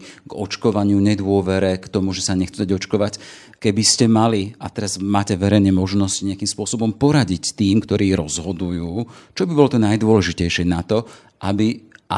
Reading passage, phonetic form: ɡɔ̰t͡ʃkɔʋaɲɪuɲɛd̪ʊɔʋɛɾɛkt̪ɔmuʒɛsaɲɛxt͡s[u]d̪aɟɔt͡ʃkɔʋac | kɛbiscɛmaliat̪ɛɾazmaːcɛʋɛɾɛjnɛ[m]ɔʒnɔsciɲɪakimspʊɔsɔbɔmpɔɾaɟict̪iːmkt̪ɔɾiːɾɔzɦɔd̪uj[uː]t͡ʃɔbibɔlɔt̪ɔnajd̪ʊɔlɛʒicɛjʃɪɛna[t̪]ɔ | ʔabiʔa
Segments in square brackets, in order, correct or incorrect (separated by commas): correct, correct, correct, correct